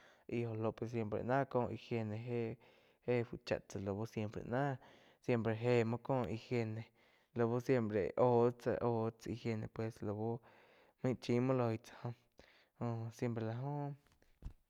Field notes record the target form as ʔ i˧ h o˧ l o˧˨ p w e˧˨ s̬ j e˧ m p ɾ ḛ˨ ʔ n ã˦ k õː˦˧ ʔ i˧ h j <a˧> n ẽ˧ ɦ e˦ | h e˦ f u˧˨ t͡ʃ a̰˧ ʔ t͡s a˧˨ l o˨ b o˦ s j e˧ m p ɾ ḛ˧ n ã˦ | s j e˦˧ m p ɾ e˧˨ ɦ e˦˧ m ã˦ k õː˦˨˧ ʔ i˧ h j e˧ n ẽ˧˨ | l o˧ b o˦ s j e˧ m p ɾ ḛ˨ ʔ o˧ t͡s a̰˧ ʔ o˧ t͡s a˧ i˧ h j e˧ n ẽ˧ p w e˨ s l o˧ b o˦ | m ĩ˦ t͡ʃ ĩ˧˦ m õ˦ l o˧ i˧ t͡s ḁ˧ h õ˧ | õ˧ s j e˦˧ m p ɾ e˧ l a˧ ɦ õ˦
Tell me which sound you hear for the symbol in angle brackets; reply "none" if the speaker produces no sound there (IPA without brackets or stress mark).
e˧